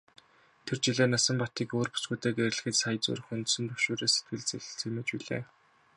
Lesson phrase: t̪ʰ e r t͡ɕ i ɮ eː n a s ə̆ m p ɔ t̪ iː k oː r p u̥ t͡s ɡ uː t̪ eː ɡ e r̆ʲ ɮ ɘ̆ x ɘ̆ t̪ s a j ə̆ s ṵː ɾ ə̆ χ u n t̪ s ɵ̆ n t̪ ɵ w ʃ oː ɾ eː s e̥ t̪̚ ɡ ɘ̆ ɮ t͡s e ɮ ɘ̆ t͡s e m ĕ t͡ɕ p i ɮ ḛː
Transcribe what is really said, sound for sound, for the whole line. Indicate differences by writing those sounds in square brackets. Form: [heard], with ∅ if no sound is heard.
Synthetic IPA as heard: t̪ʰ e r t͡ɕ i ɮ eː n a s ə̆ m p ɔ t̪ iː k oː r p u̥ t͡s ɡ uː t̪ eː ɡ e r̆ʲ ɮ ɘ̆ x ɘ̆ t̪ s a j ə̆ [t͡s] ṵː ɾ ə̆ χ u n t̪ s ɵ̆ n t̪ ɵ w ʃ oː ɾ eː s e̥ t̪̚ ɡ ɘ̆ ɮ t͡s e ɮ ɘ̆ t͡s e m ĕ t͡ɕ p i ɮ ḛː